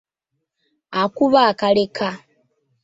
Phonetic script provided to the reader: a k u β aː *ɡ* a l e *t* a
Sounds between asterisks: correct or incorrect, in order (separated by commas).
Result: incorrect, incorrect